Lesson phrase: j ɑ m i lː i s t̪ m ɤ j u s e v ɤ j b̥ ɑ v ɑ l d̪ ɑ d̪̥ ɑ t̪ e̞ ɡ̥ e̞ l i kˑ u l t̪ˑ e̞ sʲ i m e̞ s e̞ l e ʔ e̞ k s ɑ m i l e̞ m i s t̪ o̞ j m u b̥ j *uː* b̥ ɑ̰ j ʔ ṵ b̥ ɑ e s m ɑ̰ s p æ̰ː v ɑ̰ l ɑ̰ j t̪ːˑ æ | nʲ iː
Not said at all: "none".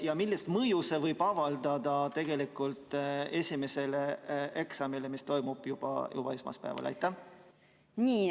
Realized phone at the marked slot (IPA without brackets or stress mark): u